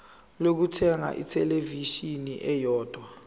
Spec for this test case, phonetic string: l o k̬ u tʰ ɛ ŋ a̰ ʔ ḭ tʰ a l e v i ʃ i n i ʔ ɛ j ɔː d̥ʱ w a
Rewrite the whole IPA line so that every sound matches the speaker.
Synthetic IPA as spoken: l o k̬ u tʰ ɛ ŋ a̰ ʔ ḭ tʰ ɛ l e v i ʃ i n i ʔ ɛ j ɔː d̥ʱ w a